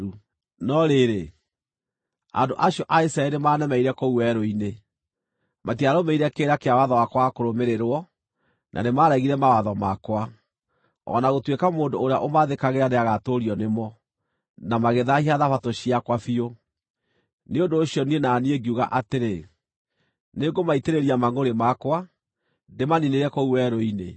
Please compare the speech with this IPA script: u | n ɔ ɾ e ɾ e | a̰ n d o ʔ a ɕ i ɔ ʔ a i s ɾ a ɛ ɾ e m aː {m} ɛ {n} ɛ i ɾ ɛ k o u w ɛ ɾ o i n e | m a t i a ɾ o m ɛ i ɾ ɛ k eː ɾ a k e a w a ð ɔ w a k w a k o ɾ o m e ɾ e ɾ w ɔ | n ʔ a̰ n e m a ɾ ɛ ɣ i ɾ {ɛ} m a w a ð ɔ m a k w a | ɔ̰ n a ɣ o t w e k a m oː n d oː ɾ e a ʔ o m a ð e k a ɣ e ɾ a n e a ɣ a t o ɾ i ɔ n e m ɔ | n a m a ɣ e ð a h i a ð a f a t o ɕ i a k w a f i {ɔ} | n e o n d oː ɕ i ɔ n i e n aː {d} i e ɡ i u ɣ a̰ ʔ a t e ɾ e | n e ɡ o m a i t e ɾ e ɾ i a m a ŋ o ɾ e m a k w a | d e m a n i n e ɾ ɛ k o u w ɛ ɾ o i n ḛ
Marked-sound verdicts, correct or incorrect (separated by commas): incorrect, incorrect, correct, incorrect, incorrect